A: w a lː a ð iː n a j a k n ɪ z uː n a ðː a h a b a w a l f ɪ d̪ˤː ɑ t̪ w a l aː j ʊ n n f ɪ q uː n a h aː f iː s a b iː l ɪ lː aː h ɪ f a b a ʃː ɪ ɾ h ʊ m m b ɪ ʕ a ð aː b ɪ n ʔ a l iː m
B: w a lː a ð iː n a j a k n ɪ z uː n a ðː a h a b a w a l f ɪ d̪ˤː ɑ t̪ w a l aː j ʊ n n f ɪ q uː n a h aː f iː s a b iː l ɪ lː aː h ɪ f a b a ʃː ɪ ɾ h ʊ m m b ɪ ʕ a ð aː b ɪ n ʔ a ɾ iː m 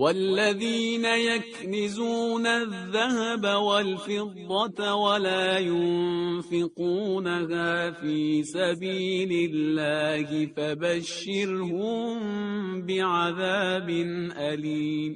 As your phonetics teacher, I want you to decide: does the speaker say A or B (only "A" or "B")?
A